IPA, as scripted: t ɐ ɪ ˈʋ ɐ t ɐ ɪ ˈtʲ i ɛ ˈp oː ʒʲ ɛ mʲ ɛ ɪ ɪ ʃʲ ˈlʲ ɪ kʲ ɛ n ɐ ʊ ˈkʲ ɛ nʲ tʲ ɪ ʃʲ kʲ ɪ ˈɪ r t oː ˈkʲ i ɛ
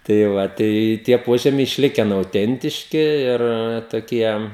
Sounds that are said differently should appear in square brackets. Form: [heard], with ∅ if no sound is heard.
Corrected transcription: t ɐ ɪ ˈʋ ɐ t ɐ ɪ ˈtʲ i ɛ ˈp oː ʒʲ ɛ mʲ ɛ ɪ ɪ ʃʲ ˈlʲ ɪ kʲ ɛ n ɐ ʊ [ˈtʲ] ɛ nʲ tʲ ɪ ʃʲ kʲ ɪ ˈɪ r t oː ˈkʲ i ɛ